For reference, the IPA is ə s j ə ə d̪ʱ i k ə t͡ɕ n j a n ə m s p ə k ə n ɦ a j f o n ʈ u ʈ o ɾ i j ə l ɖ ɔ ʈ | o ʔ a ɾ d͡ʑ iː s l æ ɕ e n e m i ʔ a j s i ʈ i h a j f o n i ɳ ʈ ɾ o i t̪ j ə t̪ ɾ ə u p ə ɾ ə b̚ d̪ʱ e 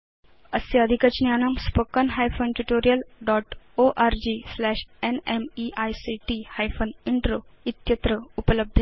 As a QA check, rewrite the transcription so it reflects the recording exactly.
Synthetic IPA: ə s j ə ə d̪ʱ i k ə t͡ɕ n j a n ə m s p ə k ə n ɦ a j f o n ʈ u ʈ o ɾ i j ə l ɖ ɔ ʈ | o ʔ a ɾ d͡ʑ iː s l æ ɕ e n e m i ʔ a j s i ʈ i h a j f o n i ɳ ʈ ɾ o i t̪ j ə t̪ ɾ ə u p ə l ə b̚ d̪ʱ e